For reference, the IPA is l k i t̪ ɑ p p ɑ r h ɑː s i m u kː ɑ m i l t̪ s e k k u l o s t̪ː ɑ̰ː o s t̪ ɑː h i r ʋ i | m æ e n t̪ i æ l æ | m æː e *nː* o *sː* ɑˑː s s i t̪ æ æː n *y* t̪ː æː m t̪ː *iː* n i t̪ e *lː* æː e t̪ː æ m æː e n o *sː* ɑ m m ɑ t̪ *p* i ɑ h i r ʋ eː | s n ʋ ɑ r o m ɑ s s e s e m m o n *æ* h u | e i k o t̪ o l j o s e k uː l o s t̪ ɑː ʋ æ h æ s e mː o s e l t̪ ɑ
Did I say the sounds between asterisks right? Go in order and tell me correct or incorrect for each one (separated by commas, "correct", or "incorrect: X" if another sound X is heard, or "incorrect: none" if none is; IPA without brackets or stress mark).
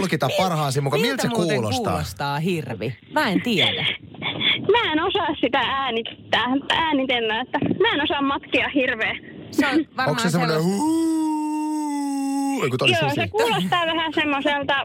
incorrect: n, incorrect: s, incorrect: i, incorrect: æː, correct, incorrect: s, incorrect: k, incorrect: e